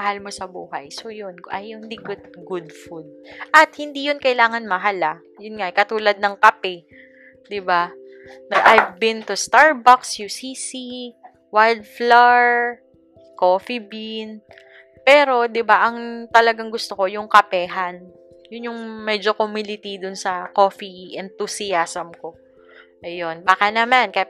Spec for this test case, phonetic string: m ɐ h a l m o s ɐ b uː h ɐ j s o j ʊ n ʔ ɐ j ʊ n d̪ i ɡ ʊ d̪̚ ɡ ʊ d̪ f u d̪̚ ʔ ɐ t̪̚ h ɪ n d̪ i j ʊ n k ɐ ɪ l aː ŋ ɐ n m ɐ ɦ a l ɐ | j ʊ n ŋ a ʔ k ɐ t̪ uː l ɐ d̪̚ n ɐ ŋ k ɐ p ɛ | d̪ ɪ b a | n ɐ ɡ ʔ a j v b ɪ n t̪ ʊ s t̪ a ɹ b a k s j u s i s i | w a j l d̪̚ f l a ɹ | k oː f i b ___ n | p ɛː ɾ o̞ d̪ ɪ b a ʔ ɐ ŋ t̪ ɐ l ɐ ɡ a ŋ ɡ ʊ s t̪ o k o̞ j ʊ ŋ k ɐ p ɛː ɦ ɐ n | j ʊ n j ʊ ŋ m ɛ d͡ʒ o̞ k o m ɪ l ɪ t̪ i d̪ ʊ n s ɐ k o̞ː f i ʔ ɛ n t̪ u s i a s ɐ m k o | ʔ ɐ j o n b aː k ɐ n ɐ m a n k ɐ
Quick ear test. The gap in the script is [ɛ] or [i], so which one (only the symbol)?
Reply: i